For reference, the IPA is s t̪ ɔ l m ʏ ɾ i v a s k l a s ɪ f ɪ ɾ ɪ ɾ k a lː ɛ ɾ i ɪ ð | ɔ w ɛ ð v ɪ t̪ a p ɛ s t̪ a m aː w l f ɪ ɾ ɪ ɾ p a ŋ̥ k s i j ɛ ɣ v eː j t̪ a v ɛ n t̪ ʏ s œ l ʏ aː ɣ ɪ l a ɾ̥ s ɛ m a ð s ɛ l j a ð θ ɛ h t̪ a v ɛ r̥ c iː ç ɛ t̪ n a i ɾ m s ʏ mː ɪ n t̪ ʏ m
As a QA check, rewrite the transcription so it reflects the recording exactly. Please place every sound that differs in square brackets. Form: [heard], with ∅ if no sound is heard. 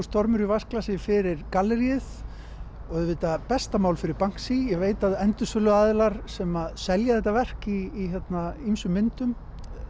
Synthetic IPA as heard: s t̪ ɔ [ɾ] m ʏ ɾ i v a s k l a s ɪ f ɪ ɾ ɪ ɾ k a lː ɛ ɾ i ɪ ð | ɔ [ɣ] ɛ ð v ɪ t̪ a p ɛ s t̪ a m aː w l f ɪ ɾ ɪ ɾ p a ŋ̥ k s i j ɛ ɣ v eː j t̪ a [ð] ɛ n t̪ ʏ s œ l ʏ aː [ð] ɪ l a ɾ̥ s ɛ m a ð s ɛ l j a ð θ ɛ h t̪ a v ɛ r̥ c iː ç ɛ t̪ n a i [∅] m s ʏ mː ɪ n t̪ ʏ m